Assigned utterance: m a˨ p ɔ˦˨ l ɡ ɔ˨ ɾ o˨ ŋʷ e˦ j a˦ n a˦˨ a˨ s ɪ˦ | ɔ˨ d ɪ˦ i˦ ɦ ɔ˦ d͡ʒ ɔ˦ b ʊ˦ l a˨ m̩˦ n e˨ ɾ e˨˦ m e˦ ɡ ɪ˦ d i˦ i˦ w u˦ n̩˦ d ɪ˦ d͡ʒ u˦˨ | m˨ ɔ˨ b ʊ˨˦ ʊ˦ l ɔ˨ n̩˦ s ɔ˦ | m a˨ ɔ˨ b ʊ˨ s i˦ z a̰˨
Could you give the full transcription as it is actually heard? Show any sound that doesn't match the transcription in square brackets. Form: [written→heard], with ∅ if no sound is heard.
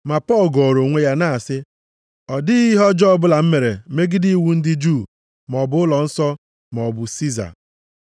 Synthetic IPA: m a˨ p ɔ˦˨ l ɡ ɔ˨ ɾ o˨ ŋʷ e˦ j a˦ n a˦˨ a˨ s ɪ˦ | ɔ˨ d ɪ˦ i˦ ɦ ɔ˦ d͡ʒ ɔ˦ b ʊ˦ l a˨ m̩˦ [n→m] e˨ ɾ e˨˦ m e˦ ɡ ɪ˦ d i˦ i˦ w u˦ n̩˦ d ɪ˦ d͡ʒ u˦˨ | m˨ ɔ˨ b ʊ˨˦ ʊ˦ l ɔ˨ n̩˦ s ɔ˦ | m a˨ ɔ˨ b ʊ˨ s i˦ z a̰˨